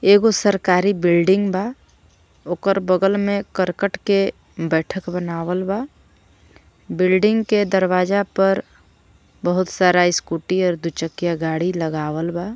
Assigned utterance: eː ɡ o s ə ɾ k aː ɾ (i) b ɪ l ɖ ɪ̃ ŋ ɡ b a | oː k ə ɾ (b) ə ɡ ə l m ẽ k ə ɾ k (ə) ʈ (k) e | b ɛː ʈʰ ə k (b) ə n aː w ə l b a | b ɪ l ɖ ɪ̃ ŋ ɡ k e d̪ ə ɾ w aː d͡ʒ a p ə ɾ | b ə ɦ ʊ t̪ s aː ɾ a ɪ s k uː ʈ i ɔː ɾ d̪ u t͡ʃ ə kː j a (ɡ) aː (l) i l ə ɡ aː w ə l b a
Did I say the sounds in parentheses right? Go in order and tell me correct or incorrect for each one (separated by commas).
correct, correct, correct, correct, correct, correct, incorrect